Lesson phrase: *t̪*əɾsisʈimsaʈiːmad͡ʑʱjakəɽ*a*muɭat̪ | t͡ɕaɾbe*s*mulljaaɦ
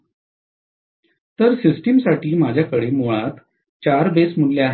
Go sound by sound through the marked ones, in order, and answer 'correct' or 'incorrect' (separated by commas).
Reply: correct, incorrect, correct